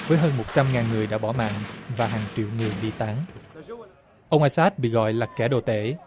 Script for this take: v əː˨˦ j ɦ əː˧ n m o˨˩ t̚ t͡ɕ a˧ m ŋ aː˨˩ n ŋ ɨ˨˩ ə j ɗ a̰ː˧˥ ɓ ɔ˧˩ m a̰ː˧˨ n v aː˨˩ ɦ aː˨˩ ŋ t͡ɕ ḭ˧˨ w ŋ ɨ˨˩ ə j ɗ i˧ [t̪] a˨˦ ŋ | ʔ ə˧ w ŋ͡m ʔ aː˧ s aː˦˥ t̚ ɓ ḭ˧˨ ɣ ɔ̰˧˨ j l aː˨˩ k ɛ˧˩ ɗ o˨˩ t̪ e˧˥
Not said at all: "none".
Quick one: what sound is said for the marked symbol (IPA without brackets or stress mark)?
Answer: t̪